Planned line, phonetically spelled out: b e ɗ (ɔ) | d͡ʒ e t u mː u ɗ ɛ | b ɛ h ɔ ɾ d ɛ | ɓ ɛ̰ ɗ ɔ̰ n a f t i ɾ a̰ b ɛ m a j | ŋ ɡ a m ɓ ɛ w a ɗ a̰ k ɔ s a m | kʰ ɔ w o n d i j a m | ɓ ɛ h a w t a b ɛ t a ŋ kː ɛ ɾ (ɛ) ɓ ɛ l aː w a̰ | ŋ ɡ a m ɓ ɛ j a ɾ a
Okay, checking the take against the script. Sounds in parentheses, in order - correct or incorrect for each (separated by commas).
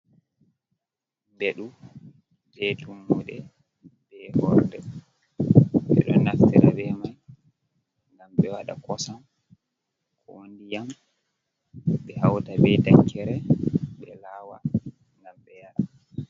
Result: incorrect, correct